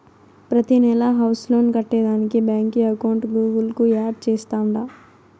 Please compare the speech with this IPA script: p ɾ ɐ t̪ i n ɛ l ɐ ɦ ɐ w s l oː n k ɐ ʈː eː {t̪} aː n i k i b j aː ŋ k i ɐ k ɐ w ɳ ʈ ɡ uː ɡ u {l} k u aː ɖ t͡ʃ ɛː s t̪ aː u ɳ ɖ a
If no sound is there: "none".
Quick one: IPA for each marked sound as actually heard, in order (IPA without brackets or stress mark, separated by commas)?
d̪, l